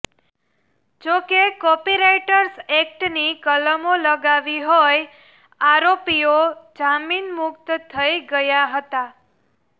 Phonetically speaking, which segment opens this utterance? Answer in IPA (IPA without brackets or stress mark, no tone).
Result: d͡ʒ